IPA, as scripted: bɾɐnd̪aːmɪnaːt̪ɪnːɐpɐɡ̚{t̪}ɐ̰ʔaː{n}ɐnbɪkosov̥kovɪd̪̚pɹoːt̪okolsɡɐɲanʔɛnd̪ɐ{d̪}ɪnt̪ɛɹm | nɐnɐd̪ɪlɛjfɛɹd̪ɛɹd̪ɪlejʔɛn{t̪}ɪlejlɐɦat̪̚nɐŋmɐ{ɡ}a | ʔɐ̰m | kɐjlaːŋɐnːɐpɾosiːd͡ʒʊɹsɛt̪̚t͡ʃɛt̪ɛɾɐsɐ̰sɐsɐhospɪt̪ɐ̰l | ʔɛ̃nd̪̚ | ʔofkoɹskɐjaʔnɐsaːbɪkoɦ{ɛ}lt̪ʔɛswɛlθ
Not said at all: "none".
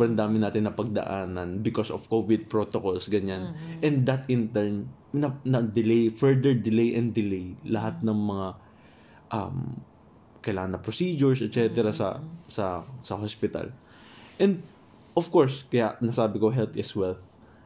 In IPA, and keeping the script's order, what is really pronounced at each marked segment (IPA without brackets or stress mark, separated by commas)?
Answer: d̪, n, t̪, d̪, ŋ, ɛ